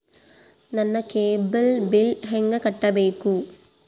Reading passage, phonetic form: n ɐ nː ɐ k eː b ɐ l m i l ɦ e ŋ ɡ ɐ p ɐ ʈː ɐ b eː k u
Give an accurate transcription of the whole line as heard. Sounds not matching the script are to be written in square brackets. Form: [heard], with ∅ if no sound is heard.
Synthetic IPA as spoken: n ɐ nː ɐ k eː b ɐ l [b] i l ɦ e ŋ ɡ ɐ [k] ɐ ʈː ɐ b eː k u